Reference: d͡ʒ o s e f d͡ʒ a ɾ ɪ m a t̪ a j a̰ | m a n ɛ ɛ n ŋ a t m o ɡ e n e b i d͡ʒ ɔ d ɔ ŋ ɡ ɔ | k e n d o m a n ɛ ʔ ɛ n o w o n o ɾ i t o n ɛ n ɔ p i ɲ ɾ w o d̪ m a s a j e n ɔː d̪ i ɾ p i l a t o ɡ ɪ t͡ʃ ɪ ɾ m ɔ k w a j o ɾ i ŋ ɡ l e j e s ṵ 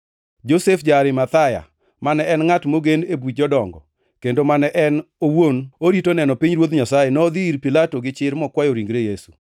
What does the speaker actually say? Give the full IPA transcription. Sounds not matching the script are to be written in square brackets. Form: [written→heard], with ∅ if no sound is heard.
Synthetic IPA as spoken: d͡ʒ o s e f d͡ʒ a ɾ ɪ m a t̪ a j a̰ | m a n ɛ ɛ n ŋ a t m o ɡ e n e b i d͡ʒ ɔ d ɔ ŋ ɡ ɔ | k e n d o m a n ɛ ʔ ɛ n o w o n o ɾ i t o n ɛ n ɔ p i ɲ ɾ w o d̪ [m→ɲ] a s a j e n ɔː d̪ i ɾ p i l a t o ɡ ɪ t͡ʃ ɪ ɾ m ɔ k w a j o ɾ i ŋ ɡ [l→ɾ] e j e s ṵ